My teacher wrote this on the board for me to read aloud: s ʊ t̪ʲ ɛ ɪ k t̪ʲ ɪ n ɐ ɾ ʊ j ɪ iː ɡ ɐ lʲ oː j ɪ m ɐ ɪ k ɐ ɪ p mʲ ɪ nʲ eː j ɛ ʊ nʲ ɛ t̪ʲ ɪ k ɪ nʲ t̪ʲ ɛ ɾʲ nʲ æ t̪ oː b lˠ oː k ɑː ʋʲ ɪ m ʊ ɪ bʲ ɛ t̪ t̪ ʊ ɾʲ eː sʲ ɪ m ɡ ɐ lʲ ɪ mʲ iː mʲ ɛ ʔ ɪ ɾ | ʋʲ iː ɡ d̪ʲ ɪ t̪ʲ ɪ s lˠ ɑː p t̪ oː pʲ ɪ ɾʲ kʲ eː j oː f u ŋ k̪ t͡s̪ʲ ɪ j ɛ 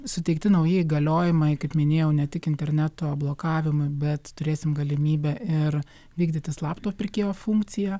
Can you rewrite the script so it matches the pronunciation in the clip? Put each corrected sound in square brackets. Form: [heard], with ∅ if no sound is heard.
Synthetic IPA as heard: s ʊ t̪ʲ ɛ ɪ k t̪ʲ ɪ n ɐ [∅] ʊ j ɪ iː ɡ ɐ lʲ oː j ɪ m ɐ ɪ k ɐ ɪ p mʲ ɪ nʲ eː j ɛ ʊ nʲ ɛ t̪ʲ ɪ k ɪ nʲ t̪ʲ ɛ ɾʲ nʲ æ t̪ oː b lˠ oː k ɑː ʋʲ ɪ m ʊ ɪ bʲ ɛ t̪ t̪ ʊ ɾʲ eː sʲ ɪ m ɡ ɐ lʲ ɪ mʲ iː [bʲ] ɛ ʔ ɪ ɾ | ʋʲ iː ɡ d̪ʲ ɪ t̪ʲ ɪ s lˠ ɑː p t̪ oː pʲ ɪ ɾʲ kʲ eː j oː f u ŋ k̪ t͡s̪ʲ ɪ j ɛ